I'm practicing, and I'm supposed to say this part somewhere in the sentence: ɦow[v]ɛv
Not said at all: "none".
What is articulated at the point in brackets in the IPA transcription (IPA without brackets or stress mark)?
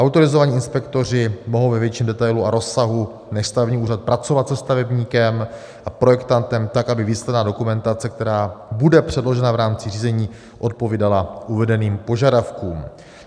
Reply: v